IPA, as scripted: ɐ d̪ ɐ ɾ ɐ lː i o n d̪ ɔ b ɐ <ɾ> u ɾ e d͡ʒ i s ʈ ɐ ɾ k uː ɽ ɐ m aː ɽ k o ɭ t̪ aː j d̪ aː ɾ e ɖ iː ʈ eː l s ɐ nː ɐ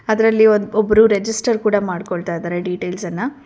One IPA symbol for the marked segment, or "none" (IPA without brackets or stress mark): ɾ